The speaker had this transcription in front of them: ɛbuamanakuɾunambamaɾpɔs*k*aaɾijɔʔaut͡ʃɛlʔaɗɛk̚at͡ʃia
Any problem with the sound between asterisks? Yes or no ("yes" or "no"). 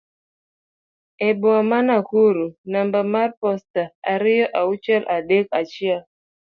yes